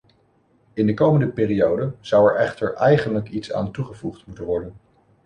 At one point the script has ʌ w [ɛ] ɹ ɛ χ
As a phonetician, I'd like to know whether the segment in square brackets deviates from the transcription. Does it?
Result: no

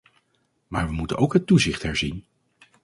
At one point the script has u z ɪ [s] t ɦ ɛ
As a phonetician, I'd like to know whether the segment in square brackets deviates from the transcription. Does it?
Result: yes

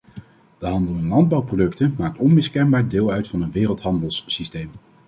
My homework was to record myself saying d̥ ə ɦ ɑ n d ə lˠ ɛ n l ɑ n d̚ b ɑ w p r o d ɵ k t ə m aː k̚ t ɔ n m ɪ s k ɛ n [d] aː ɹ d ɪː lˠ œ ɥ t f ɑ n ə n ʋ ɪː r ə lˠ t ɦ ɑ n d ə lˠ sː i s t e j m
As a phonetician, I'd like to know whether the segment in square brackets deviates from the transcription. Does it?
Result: yes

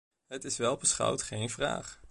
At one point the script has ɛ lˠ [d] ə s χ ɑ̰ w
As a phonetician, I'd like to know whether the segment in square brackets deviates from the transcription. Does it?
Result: yes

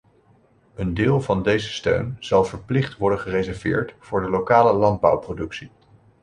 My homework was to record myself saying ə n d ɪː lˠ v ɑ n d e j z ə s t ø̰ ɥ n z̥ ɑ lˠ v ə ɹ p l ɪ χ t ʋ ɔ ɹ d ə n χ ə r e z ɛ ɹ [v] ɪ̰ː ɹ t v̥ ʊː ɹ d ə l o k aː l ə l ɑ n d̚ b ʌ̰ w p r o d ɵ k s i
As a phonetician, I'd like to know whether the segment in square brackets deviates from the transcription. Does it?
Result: no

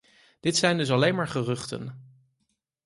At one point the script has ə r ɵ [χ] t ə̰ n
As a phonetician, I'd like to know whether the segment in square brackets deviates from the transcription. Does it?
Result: no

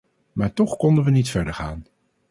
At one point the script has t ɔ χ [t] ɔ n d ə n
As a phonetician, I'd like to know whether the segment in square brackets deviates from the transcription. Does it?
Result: yes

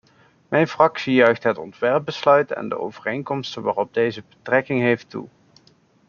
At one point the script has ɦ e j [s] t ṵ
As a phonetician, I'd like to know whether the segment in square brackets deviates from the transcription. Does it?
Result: yes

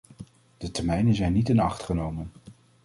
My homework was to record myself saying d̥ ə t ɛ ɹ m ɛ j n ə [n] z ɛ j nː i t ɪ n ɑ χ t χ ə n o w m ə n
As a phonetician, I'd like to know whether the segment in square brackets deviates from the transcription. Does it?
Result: no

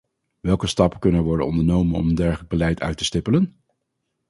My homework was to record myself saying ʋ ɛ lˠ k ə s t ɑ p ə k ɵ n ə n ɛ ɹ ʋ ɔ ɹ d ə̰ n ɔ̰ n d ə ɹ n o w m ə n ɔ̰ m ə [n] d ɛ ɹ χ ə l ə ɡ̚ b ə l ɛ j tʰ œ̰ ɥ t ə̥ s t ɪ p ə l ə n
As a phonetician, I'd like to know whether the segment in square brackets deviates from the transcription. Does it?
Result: no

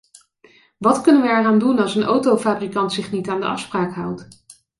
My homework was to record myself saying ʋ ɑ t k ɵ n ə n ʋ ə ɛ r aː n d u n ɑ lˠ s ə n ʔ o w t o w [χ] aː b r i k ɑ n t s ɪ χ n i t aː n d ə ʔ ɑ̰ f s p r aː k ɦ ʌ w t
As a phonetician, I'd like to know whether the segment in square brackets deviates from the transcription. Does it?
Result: yes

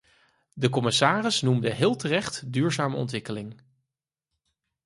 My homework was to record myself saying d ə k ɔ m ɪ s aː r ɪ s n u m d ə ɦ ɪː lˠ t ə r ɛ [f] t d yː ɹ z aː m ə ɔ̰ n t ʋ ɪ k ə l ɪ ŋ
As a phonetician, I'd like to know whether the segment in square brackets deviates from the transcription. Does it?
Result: yes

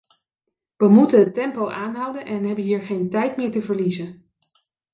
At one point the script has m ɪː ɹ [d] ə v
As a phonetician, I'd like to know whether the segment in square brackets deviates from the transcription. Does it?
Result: yes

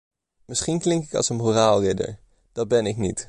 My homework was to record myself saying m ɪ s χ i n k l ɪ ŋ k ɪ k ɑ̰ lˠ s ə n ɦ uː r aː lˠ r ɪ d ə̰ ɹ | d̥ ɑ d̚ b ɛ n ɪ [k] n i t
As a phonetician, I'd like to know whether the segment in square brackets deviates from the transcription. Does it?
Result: no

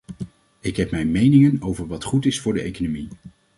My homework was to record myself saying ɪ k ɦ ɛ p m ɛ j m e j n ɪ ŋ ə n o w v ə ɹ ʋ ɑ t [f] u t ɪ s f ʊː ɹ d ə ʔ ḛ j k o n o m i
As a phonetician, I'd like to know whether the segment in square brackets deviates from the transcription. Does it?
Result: yes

